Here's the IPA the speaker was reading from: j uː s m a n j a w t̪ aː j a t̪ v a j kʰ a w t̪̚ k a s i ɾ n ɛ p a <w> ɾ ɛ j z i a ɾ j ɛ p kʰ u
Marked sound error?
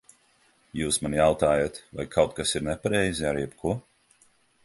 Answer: yes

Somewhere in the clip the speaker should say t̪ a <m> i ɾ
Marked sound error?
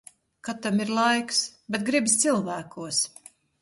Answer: no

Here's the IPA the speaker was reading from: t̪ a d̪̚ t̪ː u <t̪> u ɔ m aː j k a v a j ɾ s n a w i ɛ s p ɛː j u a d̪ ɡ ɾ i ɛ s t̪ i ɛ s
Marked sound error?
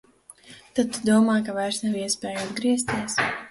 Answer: yes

